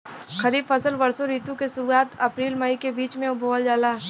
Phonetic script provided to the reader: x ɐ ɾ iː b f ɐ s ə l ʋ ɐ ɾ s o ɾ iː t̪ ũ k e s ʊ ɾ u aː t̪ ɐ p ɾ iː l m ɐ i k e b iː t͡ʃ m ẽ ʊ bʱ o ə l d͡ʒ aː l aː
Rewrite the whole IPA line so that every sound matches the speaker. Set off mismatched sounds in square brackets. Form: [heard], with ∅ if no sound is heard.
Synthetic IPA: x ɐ ɾ iː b f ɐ s ə l ʋ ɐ ɾ s o ɾ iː t̪ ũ k e s ʊ ɾ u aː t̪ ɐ p ɾ iː l m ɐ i k e b iː t͡ʃ m ẽ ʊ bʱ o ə l d͡ʒ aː l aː